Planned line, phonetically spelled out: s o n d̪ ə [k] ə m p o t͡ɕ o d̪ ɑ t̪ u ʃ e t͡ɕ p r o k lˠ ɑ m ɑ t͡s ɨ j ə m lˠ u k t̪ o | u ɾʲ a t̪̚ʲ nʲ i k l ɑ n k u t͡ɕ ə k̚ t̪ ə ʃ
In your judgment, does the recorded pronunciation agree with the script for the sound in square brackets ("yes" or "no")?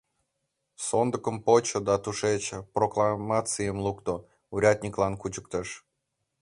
yes